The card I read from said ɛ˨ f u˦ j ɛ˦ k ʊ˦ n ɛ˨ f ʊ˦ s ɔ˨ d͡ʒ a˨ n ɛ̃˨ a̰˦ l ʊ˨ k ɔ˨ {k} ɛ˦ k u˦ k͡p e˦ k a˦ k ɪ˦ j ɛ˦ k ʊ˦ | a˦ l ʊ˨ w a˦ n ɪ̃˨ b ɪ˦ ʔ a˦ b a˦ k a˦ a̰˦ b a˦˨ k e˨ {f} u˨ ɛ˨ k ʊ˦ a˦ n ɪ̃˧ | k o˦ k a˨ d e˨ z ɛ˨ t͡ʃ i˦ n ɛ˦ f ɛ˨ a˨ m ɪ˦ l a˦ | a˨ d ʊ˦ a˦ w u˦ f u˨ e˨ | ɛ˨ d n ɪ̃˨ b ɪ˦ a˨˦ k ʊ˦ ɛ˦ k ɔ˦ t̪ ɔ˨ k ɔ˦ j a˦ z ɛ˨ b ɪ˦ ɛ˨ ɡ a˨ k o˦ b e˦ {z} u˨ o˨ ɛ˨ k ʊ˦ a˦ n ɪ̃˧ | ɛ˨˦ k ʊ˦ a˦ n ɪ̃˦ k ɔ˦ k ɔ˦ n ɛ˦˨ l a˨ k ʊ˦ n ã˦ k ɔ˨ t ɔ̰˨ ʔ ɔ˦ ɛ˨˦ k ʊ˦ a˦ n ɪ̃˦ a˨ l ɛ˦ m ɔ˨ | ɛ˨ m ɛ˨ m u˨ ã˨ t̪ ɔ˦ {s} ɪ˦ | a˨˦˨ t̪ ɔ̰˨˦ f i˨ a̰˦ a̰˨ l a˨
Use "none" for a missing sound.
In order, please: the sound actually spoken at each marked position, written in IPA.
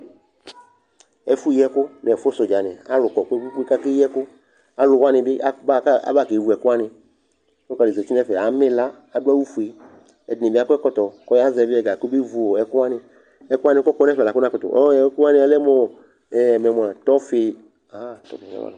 k, v, v, f

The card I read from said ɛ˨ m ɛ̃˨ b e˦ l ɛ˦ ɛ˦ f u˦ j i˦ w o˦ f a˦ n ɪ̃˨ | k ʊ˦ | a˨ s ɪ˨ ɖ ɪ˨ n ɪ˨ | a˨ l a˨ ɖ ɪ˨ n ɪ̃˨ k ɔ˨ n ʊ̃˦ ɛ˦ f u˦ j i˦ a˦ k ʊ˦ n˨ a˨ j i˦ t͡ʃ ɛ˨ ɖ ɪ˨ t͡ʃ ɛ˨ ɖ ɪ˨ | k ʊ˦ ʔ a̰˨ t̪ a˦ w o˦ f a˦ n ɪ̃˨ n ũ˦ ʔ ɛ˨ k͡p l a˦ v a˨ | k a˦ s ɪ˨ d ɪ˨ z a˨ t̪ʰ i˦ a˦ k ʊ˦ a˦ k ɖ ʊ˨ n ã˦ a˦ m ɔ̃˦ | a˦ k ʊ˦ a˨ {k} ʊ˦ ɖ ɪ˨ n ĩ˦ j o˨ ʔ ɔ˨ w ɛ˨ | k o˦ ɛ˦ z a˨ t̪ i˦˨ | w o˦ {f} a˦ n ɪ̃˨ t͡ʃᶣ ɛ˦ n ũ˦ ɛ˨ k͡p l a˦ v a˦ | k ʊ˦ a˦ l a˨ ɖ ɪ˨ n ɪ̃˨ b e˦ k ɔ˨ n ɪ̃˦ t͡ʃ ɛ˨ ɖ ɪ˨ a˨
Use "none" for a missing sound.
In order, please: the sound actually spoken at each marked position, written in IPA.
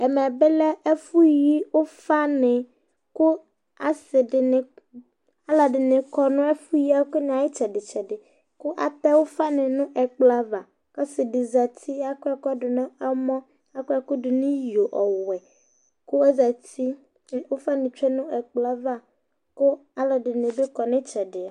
k, f

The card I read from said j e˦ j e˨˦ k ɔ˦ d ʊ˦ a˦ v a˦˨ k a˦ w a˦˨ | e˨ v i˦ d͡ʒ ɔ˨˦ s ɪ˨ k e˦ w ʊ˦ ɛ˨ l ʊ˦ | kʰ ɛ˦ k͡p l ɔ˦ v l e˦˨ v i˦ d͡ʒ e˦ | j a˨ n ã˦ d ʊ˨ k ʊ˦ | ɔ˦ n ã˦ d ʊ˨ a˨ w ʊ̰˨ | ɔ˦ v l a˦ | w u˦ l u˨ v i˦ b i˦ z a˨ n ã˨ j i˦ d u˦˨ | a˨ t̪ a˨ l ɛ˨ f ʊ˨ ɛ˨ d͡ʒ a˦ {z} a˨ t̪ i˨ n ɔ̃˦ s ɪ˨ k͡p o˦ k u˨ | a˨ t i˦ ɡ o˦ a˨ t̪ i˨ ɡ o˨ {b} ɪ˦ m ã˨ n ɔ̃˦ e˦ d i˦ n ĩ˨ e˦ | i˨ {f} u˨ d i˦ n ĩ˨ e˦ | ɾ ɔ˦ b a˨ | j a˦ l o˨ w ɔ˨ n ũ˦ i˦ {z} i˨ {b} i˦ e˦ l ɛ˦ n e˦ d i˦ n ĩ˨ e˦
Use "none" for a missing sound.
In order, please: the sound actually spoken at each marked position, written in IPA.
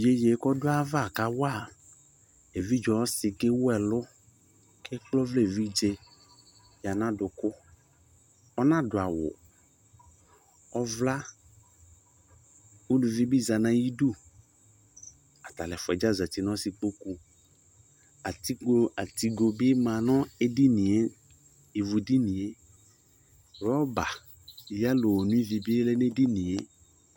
z, b, v, v, b

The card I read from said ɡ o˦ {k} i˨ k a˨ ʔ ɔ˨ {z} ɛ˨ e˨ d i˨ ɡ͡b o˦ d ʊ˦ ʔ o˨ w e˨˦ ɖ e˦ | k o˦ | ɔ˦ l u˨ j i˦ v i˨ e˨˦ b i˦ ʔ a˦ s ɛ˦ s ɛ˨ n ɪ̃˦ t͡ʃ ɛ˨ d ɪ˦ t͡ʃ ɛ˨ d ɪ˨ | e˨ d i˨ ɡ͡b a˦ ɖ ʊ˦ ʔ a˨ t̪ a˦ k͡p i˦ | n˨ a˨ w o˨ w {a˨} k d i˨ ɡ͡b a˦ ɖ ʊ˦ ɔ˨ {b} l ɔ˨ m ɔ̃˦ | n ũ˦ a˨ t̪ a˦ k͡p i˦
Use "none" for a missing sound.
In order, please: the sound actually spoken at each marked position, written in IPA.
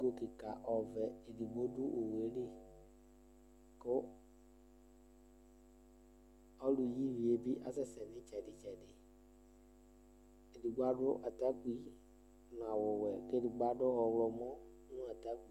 k, v, ɛ˨, w

